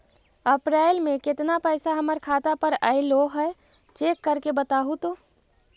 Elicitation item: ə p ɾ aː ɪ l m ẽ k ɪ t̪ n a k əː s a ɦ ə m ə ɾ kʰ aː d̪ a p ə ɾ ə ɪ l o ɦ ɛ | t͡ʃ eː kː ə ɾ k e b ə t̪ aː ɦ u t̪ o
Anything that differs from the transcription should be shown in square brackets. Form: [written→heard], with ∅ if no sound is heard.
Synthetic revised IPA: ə p ɾ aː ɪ l m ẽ k ɪ t̪ n a [k→p] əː s a ɦ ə m ə ɾ kʰ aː [d̪→t̪] a p ə ɾ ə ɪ l o ɦ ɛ | t͡ʃ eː kː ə ɾ k e b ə t̪ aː ɦ u t̪ o